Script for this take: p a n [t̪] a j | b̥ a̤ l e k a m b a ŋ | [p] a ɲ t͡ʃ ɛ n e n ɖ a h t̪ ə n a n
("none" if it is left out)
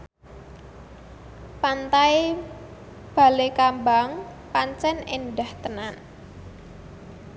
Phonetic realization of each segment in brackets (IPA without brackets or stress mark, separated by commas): t̪, p